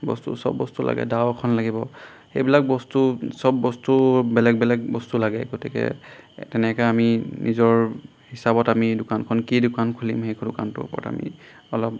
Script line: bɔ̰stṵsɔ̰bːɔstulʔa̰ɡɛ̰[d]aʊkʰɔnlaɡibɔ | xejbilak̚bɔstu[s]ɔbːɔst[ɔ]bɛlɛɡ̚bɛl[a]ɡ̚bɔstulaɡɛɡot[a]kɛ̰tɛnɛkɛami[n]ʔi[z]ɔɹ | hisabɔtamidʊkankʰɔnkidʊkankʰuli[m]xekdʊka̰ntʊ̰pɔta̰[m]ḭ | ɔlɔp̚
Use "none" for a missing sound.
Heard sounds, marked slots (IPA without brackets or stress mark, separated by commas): d, s, u, ɛ, i, n, z, m, m